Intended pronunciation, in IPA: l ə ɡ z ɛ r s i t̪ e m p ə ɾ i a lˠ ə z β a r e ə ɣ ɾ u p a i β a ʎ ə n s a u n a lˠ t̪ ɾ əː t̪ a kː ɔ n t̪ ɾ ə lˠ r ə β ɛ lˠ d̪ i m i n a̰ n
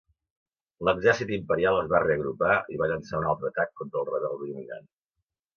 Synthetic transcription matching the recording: l ə ɡ z ɛ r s i t̪ i m p ə ɾ i a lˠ ə z β a r e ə ɣ ɾ u p a i β a ʎ ə n s a u n a lˠ t̪ ɾ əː t̪ a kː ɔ n t̪ ɾ ə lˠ r ə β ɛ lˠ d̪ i m i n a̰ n